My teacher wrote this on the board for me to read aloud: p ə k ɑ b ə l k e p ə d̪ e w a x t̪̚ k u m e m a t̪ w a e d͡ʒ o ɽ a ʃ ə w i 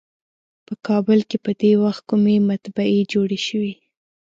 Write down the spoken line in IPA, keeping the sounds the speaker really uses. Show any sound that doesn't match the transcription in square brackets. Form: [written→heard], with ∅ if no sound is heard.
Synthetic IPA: p ə k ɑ b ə l k e p ə d̪ e w a x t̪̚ k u m e m a t̪ [w→b] a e d͡ʒ o ɽ [a→e] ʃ ə w i